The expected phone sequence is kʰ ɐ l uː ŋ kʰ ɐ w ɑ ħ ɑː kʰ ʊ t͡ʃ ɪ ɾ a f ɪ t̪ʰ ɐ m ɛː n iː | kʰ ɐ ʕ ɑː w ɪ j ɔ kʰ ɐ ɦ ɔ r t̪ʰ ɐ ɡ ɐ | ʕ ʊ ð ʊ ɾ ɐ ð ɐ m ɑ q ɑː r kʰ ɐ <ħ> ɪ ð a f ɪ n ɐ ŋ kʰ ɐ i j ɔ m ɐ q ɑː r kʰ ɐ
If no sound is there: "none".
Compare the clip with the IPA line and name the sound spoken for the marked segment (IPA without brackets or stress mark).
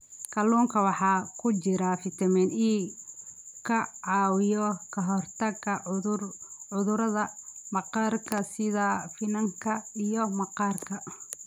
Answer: s